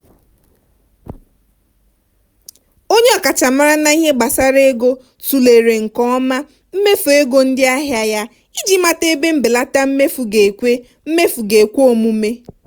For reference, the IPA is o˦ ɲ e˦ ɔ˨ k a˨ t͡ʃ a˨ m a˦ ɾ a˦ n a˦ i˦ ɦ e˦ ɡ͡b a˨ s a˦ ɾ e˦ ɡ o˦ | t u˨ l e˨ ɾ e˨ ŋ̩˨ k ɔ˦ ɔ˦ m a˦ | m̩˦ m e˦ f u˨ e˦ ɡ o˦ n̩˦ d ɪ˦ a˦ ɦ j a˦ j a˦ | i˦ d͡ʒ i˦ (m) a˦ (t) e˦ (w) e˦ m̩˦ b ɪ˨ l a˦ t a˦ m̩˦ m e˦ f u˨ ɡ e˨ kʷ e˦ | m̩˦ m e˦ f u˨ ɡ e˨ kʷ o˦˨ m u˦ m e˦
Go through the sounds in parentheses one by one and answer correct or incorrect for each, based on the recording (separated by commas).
correct, correct, incorrect